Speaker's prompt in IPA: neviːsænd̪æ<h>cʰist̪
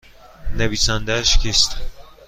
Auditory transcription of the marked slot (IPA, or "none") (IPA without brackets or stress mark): ʃ